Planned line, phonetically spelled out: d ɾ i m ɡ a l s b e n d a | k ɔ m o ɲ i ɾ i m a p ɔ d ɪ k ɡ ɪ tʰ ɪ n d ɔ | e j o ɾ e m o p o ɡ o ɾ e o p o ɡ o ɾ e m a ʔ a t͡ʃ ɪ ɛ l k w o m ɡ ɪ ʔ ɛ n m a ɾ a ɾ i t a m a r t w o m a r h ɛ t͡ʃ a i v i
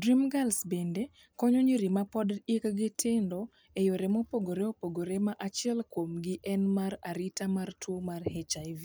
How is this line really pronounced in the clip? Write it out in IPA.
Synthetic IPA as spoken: d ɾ i m ɡ a l s b e n d e | k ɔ ɲ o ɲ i ɾ i m a p ɔ d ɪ k ɡ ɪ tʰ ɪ n d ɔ | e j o ɾ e m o p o ɡ o ɾ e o p o ɡ o ɾ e m a ʔ a t͡ʃ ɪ ɛ l k w o m ɡ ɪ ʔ ɛ n m a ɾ a ɾ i t a m a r t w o m a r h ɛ t͡ʃ a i v i